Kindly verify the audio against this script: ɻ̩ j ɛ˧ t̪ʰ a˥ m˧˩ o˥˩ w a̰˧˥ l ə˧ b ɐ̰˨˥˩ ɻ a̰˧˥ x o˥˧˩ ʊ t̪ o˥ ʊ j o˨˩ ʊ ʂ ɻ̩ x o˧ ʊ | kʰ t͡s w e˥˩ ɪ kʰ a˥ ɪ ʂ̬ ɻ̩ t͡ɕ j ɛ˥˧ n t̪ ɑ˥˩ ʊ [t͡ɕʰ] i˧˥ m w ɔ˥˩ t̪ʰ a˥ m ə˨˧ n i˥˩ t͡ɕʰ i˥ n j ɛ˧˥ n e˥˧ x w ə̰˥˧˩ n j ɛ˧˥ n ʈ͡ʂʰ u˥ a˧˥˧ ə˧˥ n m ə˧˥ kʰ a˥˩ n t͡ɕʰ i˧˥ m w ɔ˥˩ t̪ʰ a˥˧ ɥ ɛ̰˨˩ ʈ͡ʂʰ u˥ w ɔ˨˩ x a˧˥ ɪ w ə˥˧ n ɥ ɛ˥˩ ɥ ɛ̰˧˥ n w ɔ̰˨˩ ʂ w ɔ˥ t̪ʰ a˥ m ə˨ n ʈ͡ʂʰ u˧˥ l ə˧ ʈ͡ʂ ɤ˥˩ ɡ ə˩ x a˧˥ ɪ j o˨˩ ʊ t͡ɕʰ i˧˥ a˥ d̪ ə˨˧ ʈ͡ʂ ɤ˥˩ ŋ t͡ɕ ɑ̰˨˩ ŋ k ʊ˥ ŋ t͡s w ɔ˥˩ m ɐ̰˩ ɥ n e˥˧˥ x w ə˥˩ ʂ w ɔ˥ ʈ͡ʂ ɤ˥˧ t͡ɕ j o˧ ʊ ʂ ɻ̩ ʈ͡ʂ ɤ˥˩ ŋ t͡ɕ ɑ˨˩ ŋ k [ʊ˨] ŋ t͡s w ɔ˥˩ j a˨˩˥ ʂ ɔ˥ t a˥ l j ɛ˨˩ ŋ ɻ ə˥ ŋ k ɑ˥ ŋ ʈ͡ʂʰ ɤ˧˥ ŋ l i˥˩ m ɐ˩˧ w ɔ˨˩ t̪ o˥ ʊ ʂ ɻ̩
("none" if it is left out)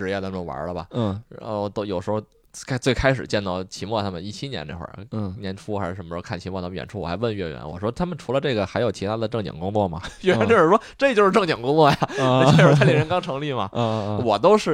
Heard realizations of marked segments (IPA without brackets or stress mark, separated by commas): t͡ɕʰ, ʊ˥